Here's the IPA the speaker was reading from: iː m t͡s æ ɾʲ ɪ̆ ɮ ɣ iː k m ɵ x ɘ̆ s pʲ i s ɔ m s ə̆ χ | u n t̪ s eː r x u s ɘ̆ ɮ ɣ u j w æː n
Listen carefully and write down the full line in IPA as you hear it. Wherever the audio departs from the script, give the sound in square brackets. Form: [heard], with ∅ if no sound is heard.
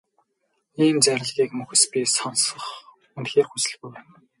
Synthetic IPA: iː m t͡s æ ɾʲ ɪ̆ ɮ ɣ iː k m ɵ x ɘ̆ s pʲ i s ɔ [n] s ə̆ χ | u n t̪ [x] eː r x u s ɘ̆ ɮ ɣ u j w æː n